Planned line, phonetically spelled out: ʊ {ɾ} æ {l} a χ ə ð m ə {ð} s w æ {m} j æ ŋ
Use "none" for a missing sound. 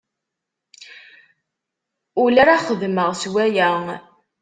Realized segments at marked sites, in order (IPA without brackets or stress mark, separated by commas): l, ɾ, ʁ, none